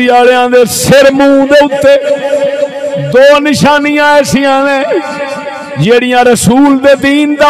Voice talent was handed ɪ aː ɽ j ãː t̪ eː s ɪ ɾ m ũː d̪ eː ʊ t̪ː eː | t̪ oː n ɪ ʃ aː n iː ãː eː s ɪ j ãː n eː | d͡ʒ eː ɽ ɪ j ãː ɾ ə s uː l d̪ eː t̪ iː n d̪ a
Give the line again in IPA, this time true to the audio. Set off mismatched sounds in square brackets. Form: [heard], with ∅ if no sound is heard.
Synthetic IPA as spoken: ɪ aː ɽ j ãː [d̪] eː s ɪ ɾ m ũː d̪ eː ʊ t̪ː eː | [d̪] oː n ɪ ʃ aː n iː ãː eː s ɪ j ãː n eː | d͡ʒ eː ɽ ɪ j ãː ɾ ə s uː l d̪ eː [d̪] iː n d̪ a